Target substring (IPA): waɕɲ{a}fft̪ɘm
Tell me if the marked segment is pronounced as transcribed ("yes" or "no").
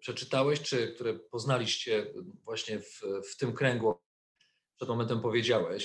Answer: no